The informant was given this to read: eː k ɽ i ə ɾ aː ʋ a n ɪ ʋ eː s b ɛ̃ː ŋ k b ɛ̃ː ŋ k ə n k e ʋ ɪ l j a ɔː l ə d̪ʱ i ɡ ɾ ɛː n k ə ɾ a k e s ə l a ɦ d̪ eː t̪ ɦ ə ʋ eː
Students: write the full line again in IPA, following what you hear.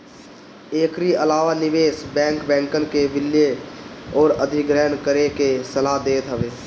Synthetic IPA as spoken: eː k ɾ i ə l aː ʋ a n ɪ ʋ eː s b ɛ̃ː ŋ k b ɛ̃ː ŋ k ə n k e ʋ ɪ l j e ɔː ɾ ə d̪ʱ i ɡ ɾ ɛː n k ə ɾ e k e s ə l a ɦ d̪ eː t̪ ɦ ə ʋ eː